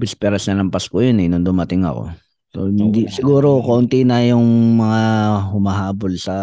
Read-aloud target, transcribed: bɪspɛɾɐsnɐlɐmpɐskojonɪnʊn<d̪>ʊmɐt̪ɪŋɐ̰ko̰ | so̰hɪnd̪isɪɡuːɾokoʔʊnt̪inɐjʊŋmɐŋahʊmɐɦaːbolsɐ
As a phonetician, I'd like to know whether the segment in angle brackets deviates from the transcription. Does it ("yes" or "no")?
no